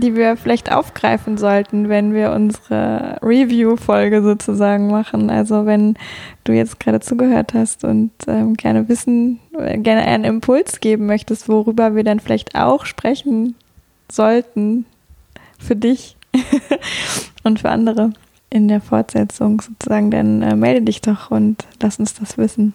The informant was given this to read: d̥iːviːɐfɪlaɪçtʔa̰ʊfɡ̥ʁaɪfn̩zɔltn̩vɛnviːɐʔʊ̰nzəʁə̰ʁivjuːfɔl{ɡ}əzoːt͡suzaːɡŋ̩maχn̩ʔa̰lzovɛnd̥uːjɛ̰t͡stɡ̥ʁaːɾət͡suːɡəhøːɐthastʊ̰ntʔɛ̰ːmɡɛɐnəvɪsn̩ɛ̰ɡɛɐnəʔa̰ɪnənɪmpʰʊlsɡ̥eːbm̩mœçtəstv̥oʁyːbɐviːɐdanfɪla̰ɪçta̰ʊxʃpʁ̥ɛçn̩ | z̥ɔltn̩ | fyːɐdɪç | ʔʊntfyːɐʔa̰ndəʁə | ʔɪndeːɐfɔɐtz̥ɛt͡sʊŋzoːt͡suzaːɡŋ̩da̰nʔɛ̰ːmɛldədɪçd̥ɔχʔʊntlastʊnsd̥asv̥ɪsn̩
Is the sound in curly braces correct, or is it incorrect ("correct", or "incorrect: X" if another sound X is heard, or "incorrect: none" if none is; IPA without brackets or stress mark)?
correct